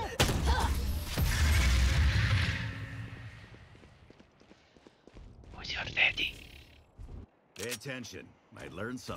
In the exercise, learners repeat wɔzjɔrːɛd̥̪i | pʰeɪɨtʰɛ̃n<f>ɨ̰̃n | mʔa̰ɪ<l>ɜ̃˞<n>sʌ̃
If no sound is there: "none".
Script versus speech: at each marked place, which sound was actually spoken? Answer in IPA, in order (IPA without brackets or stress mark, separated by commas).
ʃ, l, n